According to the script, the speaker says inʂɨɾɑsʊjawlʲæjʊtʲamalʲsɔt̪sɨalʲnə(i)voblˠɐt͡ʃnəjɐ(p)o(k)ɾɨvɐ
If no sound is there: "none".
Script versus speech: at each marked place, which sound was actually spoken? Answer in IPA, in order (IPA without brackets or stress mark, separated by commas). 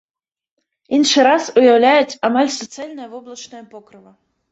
j, p, k